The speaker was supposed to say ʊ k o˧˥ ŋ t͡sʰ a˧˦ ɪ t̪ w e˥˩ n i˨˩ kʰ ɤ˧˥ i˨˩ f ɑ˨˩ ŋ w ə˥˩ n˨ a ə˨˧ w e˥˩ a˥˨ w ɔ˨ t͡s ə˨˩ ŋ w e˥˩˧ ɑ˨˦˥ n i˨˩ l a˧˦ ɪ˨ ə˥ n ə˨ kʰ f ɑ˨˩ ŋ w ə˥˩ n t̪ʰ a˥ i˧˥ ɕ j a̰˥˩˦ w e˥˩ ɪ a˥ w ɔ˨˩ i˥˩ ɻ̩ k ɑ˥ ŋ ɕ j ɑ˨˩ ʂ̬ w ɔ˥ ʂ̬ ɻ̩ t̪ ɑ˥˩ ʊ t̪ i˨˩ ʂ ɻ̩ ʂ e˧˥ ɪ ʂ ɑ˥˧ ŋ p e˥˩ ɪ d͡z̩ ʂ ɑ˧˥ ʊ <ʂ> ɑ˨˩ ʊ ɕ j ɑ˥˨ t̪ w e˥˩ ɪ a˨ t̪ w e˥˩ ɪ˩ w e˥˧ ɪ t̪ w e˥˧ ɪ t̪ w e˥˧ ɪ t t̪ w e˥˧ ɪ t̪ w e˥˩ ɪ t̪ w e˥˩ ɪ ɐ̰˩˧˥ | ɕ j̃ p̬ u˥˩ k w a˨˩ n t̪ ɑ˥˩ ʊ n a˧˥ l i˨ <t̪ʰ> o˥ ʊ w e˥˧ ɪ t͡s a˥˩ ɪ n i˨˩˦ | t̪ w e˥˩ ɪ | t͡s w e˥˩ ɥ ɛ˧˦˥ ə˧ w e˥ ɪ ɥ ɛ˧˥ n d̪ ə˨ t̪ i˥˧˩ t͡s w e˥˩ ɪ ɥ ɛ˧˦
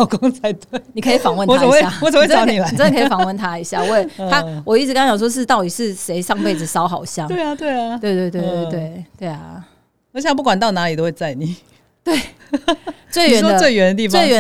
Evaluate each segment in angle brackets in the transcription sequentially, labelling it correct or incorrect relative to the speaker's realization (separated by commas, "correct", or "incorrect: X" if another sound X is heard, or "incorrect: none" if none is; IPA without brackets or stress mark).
incorrect: x, incorrect: t̪